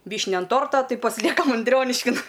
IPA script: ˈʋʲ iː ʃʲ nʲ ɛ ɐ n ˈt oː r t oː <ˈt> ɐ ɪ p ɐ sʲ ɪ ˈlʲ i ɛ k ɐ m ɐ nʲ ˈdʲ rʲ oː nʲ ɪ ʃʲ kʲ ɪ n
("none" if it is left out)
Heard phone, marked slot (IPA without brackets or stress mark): t